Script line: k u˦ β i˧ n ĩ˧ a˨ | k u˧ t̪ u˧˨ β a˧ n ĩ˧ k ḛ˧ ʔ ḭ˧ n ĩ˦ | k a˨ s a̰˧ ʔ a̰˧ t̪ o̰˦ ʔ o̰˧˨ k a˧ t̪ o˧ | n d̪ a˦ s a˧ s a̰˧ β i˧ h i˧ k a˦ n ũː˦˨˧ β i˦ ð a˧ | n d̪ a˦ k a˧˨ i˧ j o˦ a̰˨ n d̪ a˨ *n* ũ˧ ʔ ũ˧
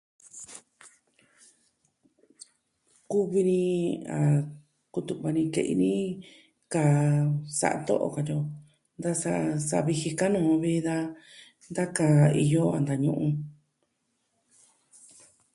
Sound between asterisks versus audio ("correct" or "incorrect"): incorrect